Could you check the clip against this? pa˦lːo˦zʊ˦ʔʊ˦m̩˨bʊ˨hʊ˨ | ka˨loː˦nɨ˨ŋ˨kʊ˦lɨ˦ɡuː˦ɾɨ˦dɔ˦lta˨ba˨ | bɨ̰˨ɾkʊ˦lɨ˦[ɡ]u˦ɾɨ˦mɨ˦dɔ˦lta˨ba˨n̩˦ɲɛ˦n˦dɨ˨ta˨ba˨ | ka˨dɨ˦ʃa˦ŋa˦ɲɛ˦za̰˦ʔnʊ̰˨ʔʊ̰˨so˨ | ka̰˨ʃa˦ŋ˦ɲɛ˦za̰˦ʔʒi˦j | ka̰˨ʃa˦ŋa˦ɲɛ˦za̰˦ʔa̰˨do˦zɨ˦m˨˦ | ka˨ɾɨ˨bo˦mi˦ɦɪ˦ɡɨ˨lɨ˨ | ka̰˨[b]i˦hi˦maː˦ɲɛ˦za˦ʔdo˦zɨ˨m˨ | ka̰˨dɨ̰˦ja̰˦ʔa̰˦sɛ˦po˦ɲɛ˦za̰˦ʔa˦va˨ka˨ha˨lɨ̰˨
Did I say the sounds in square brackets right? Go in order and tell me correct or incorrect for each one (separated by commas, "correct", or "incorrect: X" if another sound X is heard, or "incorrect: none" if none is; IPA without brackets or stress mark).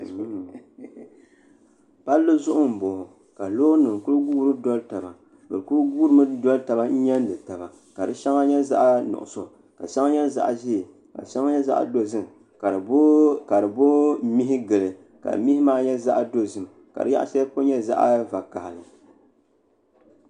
correct, incorrect: m